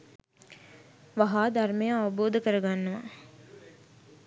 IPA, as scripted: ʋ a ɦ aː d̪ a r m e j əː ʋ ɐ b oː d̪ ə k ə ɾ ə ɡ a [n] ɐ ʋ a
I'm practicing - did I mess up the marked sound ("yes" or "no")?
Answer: yes